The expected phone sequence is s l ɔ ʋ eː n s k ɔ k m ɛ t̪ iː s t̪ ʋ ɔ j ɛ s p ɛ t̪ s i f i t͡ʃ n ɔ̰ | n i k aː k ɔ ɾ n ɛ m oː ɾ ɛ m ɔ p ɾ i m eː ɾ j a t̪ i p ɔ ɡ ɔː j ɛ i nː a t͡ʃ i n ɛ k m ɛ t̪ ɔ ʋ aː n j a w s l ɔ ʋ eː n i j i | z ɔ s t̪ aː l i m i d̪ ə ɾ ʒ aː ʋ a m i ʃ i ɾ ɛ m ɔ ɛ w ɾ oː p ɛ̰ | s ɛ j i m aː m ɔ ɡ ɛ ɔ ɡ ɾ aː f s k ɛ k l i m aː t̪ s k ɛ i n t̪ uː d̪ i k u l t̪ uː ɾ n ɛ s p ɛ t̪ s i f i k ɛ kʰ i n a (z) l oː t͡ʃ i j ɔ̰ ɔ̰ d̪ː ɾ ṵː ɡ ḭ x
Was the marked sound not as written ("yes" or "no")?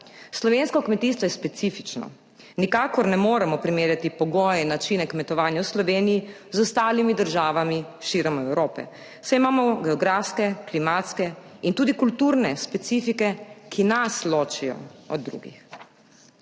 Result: yes